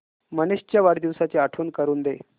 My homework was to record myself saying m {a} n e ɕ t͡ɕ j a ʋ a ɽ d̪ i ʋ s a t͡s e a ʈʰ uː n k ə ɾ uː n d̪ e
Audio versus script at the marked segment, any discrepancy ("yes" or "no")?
yes